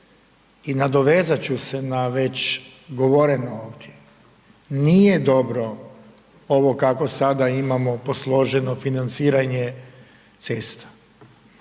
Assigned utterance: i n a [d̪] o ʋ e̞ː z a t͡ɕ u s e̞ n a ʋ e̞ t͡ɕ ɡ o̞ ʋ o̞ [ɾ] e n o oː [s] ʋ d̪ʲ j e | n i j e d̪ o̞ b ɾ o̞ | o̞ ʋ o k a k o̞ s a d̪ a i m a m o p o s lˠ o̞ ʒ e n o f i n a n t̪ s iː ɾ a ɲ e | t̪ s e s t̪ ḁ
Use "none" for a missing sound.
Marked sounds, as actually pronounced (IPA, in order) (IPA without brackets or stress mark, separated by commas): d̪, ɾ, none